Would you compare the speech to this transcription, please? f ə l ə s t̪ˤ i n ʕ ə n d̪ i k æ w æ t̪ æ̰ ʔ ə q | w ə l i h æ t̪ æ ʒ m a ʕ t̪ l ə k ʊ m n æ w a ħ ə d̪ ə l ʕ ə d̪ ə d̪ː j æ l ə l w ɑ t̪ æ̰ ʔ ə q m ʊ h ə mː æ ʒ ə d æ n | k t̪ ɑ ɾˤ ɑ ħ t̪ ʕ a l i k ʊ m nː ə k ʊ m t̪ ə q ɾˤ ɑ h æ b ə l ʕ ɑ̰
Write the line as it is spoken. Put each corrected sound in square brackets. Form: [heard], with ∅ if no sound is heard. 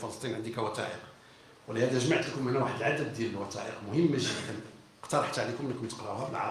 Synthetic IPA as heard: f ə l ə s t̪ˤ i n ʕ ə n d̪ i k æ w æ t̪ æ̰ ʔ ə q | w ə l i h æ [d̪] æ ʒ m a ʕ t̪ l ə k ʊ m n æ w a ħ ə d̪ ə l ʕ [a] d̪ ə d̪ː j æ l ə l w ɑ t̪ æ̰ ʔ ə q m ʊ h ə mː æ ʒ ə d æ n | [q] t̪ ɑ ɾˤ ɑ ħ t̪ ʕ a l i k ʊ m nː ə k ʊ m t̪ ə q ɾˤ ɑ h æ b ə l ʕ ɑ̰

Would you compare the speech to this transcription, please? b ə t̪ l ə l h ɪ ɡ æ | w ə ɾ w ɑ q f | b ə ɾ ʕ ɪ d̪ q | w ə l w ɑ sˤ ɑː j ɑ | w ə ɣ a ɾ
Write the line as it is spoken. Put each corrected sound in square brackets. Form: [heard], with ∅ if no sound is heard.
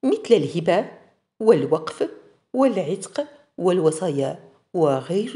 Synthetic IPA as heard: [m] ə t̪ l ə l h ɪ [b] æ | w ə [l] w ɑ q f | [w] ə [l] ʕ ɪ [t̪] q | w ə l w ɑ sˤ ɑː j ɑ | w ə ɣ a ɾ

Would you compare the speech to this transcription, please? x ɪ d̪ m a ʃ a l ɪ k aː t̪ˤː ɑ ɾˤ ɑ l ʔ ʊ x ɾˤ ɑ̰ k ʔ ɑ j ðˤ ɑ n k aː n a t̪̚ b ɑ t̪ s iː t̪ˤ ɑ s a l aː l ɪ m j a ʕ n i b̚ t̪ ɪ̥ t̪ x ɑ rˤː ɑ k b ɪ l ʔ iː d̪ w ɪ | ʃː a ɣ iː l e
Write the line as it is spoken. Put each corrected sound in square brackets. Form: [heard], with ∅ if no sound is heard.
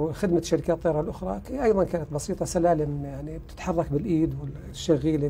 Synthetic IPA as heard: x ɪ d̪ m a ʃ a [ɾ] ɪ k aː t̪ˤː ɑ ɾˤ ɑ l ʔ ʊ x ɾˤ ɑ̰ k ʔ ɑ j ðˤ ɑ n k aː n a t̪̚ b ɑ [∅] s iː t̪ˤ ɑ s a l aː l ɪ m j a ʕ n i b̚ t̪ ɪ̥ t̪ [ħ] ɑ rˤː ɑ k b ɪ l ʔ iː d̪ w ɪ | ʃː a ɣ iː l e

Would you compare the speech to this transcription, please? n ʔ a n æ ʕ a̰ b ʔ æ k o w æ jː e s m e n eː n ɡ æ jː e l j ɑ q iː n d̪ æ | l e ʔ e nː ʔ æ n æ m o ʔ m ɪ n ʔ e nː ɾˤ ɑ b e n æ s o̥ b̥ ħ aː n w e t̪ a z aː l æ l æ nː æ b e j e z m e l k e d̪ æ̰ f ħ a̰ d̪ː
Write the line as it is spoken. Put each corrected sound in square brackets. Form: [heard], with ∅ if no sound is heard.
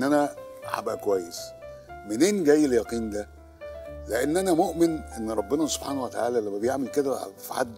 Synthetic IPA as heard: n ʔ [æ] n æ ʕ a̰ b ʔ æ k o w æ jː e s m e n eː n ɡ æ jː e l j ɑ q iː n d̪ æ | l e ʔ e nː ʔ æ n æ m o ʔ m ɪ n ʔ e nː ɾˤ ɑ [bː] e n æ s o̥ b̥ ħ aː n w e t̪ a [ʕ] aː l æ l æ [mː] æ b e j e [ʕ] m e l k e d̪ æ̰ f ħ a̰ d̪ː

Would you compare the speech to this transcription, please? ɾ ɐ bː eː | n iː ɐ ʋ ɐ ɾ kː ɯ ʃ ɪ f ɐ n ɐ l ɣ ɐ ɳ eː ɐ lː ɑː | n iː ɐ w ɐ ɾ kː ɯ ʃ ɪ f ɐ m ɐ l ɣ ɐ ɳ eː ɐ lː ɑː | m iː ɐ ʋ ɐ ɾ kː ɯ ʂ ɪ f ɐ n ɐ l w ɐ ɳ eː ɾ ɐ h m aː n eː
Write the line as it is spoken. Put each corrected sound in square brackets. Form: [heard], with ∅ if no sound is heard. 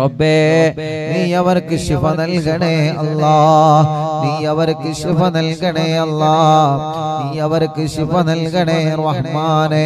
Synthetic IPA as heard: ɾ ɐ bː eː | n iː ɐ ʋ ɐ ɾ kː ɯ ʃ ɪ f ɐ n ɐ l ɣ ɐ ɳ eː ɐ lː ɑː | n iː ɐ [ʋ] ɐ ɾ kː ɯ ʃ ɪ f ɐ [n] ɐ l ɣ ɐ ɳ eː ɐ lː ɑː | [n] iː ɐ ʋ ɐ ɾ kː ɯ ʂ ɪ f ɐ n ɐ l [ɣ] ɐ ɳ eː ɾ ɐ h m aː n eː

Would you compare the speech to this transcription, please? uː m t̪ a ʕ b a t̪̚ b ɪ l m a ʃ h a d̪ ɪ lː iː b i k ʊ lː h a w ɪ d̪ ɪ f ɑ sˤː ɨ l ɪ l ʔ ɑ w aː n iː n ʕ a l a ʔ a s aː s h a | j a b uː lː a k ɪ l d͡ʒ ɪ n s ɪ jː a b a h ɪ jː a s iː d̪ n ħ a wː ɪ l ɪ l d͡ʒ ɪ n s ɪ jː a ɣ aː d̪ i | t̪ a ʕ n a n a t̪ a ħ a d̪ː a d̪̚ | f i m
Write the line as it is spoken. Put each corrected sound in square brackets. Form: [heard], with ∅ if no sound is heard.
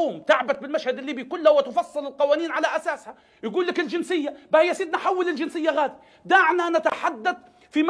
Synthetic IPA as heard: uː m t̪ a ʕ b a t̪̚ b ɪ l m a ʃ h a d̪ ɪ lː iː b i k ʊ lː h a w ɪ [t̪] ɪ f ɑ sˤː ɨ l ɪ l [q] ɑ w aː n iː n ʕ a l a ʔ a s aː s h a | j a [ɡ] uː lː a k ɪ l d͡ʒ ɪ n s ɪ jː a b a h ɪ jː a s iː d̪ n ħ a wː ɪ l ɪ l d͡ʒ ɪ n s ɪ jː a ɣ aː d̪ i | [d̪] a ʕ n a n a t̪ a ħ a d̪ː a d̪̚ | f i m

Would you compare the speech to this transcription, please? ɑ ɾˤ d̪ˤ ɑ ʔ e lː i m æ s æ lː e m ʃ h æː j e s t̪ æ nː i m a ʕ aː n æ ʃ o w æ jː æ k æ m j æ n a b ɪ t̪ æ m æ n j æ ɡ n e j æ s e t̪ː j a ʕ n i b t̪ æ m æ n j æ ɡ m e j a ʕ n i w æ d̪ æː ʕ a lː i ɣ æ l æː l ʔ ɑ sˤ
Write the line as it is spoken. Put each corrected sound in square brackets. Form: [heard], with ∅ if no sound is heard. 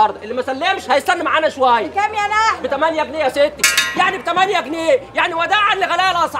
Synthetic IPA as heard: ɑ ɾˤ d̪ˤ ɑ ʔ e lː i m æ s æ lː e m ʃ h [æ] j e s t̪ æ nː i m a ʕ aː n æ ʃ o w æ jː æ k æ m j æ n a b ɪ t̪ æ m æ n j æ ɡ n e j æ s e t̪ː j a ʕ n i b t̪ æ m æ n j æ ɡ [n] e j a ʕ n i w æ d̪ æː ʕ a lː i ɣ æ l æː l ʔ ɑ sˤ

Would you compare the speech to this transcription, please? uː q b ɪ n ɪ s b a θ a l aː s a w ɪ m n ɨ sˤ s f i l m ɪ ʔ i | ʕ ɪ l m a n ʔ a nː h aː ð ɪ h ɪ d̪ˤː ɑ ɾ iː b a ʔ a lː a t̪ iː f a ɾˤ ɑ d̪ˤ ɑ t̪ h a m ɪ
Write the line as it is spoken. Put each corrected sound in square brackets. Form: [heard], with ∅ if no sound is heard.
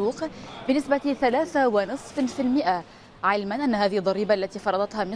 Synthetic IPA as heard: uː q b ɪ n ɪ s b a θ a l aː [θ] a w ɪ [∅] n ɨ sˤ [f] f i l m ɪ ʔ [a] | ʕ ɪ l m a n ʔ a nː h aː ð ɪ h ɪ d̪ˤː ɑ ɾ iː b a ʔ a lː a t̪ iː f [ɑ] ɾˤ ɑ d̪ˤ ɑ t̪ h a m ɪ

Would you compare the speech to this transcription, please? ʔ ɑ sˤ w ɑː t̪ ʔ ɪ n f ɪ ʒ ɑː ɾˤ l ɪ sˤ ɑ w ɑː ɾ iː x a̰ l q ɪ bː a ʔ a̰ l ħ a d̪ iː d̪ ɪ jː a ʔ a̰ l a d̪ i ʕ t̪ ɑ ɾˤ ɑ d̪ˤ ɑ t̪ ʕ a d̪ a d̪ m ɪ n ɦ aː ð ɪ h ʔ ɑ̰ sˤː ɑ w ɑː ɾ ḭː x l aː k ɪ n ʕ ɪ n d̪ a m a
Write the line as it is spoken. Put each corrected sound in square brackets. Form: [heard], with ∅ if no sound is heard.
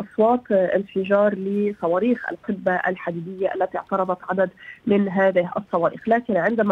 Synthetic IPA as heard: ʔ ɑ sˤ w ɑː t̪ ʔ ɪ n f ɪ ʒ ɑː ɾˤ l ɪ sˤ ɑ w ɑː ɾ iː x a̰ l q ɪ bː a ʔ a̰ l ħ a d̪ iː d̪ ɪ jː a ʔ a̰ [lː] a [t̪] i ʕ t̪ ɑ ɾˤ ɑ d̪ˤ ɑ t̪ ʕ a d̪ a d̪ m ɪ n ɦ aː ð ɪ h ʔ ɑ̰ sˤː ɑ w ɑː ɾ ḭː x l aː k ɪ n ʕ ɪ n d̪ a m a

